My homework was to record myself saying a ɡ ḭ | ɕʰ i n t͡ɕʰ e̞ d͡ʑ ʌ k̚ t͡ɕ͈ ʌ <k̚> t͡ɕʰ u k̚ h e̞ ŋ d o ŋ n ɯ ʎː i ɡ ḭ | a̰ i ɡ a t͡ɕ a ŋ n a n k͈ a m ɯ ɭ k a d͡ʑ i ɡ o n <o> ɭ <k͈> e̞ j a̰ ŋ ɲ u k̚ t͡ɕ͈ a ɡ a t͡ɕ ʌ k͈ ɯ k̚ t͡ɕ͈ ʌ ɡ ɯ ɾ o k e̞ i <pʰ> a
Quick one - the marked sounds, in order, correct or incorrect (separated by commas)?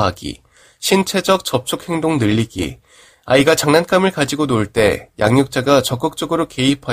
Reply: incorrect, correct, incorrect, correct